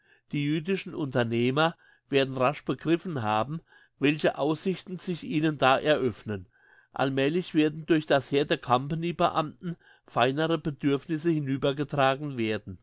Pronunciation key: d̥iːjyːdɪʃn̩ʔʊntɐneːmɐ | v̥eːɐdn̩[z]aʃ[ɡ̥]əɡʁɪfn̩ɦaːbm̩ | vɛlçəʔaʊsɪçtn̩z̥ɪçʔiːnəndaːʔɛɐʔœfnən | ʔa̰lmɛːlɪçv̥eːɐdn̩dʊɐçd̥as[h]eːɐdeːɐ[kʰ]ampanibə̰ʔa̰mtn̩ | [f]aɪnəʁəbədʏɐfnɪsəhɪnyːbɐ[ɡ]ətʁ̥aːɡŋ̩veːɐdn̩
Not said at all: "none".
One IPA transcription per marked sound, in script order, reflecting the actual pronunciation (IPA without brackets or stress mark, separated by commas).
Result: ʁ, b̥, h, kʰ, f, ɡ